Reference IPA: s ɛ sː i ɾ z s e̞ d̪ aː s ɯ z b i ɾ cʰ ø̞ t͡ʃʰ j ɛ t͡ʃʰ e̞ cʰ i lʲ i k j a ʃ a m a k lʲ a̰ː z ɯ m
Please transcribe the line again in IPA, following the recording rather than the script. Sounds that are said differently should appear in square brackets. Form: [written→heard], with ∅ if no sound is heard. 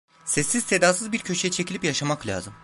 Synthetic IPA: s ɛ sː i [ɾ→∅] z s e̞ d̪ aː s ɯ z b i ɾ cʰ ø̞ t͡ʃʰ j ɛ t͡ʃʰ e̞ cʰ i lʲ i [k→p] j a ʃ a m a k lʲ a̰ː z ɯ m